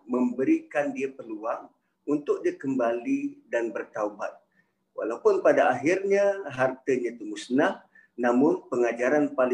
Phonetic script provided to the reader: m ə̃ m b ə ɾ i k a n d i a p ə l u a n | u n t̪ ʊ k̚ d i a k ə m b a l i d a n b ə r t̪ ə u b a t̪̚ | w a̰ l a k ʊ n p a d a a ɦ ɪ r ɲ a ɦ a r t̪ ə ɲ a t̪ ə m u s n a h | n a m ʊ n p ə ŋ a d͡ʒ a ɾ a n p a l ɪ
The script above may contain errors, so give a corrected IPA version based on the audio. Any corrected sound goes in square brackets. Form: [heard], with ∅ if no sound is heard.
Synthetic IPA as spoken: m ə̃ m b ə ɾ i k a n d i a p ə l u a [ŋ] | u n t̪ ʊ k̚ d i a k ə m b a l i d a n b ə r t̪ [a] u b a t̪̚ | w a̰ l a [p] ʊ n p a d a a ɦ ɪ r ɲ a ɦ a r t̪ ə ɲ a t̪ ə m u s n a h | n a m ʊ n p ə ŋ a d͡ʒ a ɾ a n p a l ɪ